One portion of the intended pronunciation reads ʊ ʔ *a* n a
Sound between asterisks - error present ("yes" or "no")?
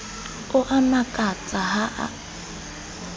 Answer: no